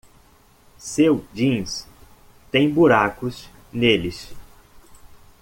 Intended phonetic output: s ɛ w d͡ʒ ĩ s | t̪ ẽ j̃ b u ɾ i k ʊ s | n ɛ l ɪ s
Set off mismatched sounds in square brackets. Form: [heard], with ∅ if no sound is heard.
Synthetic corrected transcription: s [e] w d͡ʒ ĩ s | t̪ ẽ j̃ b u ɾ [a] k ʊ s | n [e] l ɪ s

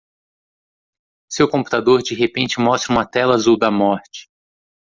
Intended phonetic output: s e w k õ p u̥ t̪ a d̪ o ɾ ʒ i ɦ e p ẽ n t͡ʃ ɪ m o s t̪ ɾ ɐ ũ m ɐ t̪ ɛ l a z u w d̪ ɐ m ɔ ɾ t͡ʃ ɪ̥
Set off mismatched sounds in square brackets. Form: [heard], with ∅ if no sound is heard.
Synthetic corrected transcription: s e w k õ p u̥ t̪ a d̪ o ɾ [d͡ʒ] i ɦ e p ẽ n t͡ʃ ɪ m [ɔ] s t̪ ɾ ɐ ũ m ɐ t̪ ɛ l a z u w d̪ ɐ m ɔ ɾ t͡ʃ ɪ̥

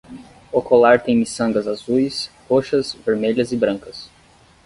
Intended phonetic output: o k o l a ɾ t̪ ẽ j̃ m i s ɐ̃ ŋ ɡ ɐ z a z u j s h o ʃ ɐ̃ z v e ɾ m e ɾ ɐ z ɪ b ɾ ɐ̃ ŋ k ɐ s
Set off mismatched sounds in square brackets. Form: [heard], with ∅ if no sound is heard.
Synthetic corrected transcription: o k o l a ɾ t̪ ẽ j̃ m i s ɐ̃ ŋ ɡ ɐ z a z u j s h o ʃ [ɐ] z v e ɾ m e [ʎ] ɐ z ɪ b ɾ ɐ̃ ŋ k ɐ s

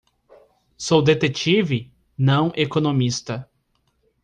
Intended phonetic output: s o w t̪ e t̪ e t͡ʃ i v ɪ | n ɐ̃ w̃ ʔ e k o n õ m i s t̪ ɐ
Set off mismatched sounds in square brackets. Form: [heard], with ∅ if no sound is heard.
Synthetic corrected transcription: s o w [d̪] e t̪ e t͡ʃ i v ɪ | n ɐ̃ w̃ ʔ e k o n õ m i s t̪ ɐ

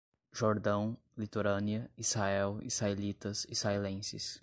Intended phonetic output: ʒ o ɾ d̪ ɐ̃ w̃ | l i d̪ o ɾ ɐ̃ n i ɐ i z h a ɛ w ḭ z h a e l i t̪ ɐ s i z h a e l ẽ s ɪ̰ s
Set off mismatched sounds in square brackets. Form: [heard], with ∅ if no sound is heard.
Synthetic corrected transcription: ʒ o ɾ d̪ ɐ̃ w̃ | l i [t̪] o ɾ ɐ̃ n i ɐ i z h a ɛ w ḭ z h a e l i t̪ ɐ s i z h a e l ẽ s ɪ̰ s

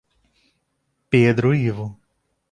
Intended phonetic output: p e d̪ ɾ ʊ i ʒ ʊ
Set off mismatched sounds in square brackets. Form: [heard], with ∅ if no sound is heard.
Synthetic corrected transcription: p e d̪ ɾ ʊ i [v] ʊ

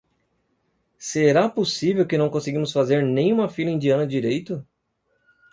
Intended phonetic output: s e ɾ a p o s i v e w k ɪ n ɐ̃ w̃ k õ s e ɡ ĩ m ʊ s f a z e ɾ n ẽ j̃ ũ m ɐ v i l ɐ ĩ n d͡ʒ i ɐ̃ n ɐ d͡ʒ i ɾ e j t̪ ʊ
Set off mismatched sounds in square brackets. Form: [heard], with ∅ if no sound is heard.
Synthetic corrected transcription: s e ɾ a p o s i v e w k ɪ n ɐ̃ w̃ k õ s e ɡ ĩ m ʊ s f a z e ɾ n ẽ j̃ ũ m ɐ [f] i l ɐ ĩ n d͡ʒ i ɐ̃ n ɐ d͡ʒ i ɾ e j t̪ ʊ

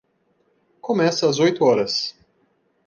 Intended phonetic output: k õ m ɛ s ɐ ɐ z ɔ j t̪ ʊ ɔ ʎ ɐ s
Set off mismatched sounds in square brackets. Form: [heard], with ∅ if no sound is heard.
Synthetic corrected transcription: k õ m ɛ s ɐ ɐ z [o] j t̪ ʊ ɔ [ɾ] ɐ s

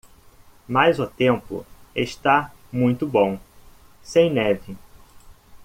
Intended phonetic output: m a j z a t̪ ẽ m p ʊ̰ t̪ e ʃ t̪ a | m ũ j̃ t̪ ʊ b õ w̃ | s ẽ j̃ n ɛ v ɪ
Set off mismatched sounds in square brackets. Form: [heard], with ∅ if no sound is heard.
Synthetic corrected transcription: m a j z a t̪ ẽ m p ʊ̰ [∅] e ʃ t̪ a | m ũ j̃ t̪ ʊ b õ w̃ | s ẽ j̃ n ɛ v ɪ

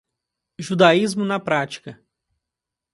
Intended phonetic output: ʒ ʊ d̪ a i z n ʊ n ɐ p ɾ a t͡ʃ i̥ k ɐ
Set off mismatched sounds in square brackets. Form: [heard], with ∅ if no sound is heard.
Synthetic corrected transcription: ʒ [u] d̪ a i z [m] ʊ n ɐ p ɾ a t͡ʃ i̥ k ɐ

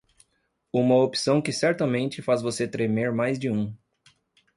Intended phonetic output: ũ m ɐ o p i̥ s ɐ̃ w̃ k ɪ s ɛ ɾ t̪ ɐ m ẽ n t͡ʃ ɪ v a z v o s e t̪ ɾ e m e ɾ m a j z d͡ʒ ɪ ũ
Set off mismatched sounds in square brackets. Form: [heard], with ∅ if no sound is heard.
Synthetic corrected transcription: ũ m ɐ o p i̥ s ɐ̃ w̃ k ɪ s ɛ ɾ t̪ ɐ m ẽ n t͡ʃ ɪ [f] a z v o s e t̪ ɾ e m e ɾ m a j z d͡ʒ ɪ ũ

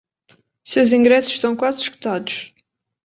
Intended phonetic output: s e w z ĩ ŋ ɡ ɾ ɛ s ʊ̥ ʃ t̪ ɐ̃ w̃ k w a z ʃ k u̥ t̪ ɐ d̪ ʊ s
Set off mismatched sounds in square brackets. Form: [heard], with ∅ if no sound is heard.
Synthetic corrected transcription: s e w z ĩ ŋ ɡ ɾ ɛ s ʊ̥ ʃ t̪ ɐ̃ w̃ k w a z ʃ k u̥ t̪ [a] d̪ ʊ [ʃ]

